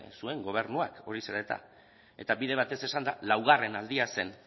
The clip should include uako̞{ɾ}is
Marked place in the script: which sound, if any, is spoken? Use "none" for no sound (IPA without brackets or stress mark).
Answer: ɾ